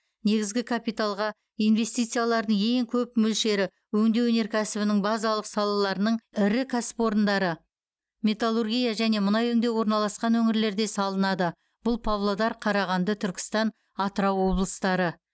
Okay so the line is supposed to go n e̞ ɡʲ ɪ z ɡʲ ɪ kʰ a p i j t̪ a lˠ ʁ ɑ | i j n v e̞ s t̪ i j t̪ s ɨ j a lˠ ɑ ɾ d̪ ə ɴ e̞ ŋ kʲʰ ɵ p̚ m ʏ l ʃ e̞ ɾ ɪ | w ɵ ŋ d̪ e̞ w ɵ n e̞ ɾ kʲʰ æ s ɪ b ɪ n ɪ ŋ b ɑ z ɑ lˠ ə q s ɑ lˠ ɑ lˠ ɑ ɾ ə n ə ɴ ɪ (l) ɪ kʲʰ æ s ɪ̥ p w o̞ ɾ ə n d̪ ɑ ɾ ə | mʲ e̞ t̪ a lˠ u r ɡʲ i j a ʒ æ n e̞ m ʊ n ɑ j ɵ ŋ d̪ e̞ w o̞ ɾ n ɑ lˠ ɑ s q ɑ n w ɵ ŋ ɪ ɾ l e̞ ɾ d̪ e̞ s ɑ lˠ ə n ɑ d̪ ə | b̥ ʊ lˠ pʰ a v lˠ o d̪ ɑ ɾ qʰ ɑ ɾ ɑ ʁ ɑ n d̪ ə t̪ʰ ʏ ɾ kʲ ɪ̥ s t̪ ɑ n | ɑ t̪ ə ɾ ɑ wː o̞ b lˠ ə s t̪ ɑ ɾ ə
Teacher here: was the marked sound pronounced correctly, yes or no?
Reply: no